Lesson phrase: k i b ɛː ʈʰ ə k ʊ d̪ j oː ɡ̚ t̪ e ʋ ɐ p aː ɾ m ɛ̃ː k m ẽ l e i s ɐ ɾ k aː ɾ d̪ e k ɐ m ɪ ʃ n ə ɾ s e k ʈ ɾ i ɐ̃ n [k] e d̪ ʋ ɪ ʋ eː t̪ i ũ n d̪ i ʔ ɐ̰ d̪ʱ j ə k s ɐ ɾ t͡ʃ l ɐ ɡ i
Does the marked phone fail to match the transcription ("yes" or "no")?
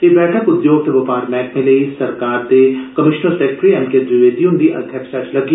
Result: no